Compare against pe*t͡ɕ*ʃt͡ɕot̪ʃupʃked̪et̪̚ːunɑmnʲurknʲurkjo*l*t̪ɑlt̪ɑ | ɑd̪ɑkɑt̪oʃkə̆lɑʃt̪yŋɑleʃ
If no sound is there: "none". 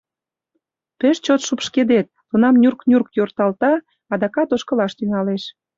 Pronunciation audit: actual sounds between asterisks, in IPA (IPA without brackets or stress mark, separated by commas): none, r